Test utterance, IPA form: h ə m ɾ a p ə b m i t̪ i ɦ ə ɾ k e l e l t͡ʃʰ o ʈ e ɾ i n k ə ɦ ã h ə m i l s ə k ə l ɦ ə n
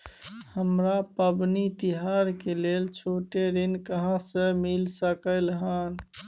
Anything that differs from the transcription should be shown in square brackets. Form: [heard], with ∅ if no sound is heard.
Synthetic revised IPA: h ə m ɾ a p ə b [n] i t̪ i ɦ [a] ɾ k e l e l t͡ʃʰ o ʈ e ɾ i n k ə ɦ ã [s] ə m i l s ə k ə l ɦ ə n

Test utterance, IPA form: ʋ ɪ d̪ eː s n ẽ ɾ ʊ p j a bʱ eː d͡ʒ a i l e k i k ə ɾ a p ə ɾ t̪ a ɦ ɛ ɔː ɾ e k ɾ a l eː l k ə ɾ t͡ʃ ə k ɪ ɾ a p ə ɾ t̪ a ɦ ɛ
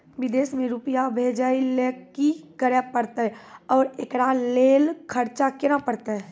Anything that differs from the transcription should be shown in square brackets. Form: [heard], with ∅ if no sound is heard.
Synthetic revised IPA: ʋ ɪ d̪ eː s [m] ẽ ɾ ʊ p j a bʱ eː d͡ʒ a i l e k i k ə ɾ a p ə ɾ t̪ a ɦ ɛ ɔː ɾ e k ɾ a l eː l [kʰ] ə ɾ t͡ʃ [a] k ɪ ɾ a p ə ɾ t̪ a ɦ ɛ

